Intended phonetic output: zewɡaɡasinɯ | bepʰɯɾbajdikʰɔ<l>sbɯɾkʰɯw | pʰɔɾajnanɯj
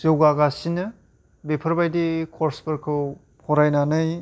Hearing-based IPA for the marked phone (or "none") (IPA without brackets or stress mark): ɾ